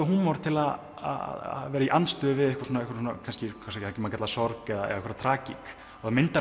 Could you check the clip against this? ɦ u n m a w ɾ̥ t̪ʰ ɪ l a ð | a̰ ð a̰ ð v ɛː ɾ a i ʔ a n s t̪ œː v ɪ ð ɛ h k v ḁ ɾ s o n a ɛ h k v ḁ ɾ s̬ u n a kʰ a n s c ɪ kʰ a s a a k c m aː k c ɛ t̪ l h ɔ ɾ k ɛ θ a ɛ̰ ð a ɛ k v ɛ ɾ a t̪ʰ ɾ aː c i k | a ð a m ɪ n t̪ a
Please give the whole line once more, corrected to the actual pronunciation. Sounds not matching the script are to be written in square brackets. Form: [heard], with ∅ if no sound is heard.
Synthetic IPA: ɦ u n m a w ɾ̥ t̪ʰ ɪ l a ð | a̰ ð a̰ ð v ɛː ɾ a i ʔ a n s t̪ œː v ɪ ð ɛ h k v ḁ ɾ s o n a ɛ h k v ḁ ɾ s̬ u n a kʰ a n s c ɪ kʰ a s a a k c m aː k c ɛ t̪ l [s] ɔ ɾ k ɛ [ð] a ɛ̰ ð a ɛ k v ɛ ɾ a t̪ʰ ɾ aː c i k | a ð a m ɪ n t̪ a

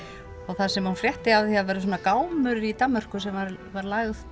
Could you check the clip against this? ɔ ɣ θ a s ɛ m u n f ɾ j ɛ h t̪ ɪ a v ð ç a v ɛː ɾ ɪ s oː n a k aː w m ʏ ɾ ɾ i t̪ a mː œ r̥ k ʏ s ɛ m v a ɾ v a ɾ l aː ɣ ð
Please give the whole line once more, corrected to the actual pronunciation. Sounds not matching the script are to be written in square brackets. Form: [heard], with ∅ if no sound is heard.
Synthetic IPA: ɔ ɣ θ a s ɛ m u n f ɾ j ɛ h t̪ ɪ a v ð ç a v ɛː ɾ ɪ s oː n a k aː w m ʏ ɾ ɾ i t̪ a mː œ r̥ k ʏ s ɛ m v a ɾ v a ɾ l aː ɣ ð

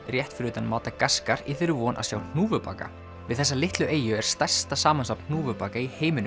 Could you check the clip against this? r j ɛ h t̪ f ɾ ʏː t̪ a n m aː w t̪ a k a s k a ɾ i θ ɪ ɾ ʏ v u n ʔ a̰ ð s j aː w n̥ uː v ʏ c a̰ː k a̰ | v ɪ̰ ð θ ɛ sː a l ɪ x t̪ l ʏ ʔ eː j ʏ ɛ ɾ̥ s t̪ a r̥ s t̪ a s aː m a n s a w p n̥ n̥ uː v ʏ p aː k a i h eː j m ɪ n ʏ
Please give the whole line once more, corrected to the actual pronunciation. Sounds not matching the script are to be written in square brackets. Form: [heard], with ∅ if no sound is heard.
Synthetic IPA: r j ɛ h t̪ f ɾ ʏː t̪ a n m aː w t̪ a k a s k a ɾ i θ ɪ ɾ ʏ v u n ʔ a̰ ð s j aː w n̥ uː v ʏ [p] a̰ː k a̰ | v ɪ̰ ð θ ɛ sː a l ɪ [h] t̪ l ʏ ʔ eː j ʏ ɛ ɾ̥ s t̪ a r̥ s t̪ a s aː m a n s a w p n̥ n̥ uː v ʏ p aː k a i h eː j m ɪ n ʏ

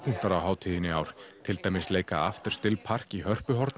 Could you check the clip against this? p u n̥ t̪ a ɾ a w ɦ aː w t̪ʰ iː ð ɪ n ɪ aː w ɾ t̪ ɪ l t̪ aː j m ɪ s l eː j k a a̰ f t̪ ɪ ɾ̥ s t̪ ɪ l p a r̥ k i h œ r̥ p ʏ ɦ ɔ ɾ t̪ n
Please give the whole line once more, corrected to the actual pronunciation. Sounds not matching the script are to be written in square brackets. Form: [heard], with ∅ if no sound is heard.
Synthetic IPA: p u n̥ t̪ a ɾ a w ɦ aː w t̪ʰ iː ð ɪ n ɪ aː w ɾ [t̪ʰ] ɪ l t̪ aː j m ɪ s l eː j k a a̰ f t̪ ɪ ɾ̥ s t̪ ɪ l [pʰ] a r̥ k i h œ r̥ p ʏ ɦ ɔ ɾ t̪ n

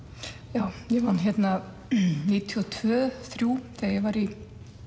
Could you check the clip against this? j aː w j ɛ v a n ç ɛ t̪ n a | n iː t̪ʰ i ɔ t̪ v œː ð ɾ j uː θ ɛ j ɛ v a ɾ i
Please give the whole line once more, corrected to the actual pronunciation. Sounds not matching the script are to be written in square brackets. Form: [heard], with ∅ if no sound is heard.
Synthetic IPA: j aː w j ɛ v a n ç ɛ t̪ n a | n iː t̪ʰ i ɔ [t̪ʰ] v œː [θ] ɾ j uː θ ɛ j ɛ v a ɾ i

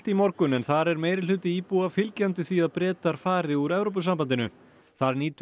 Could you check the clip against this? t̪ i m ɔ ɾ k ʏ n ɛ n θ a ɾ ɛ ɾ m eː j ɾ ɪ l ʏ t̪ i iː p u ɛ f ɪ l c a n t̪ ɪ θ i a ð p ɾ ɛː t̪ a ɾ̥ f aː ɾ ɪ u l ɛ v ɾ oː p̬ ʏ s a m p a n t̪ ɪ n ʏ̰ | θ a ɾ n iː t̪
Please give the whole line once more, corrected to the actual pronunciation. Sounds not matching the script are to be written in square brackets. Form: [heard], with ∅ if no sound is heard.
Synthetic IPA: t̪ i m ɔ ɾ k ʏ n ɛ n θ a ɾ ɛ ɾ m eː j ɾ ɪ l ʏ t̪ [ɪ] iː p u [a] f ɪ l c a n t̪ ɪ θ i a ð p ɾ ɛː t̪ a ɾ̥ f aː ɾ ɪ u [ɾ] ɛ v ɾ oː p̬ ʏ s a m p a n t̪ ɪ n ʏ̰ | θ a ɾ n iː t̪

